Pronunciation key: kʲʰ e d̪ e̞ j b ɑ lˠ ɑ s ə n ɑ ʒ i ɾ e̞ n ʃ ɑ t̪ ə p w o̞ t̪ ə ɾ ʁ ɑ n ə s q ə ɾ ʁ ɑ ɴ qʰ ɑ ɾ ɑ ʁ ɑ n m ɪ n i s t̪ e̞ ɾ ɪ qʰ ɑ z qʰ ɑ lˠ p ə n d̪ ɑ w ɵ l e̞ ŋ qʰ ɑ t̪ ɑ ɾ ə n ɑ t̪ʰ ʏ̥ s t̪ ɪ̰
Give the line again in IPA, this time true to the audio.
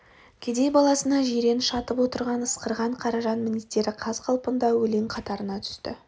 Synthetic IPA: kʲʰ e d̪ e̞ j b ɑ lˠ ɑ s ə n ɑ ʒ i ɾ e̞ n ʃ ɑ t̪ ə p w o̞ t̪ ə ɾ ʁ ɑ n ə s q ə ɾ ʁ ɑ ɴ qʰ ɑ ɾ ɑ ʒ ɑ n m ɪ n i s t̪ e̞ ɾ ɪ qʰ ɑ z qʰ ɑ lˠ p ə n d̪ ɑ w ɵ l e̞ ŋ qʰ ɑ t̪ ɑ ɾ ə n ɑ t̪ʰ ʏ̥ s t̪ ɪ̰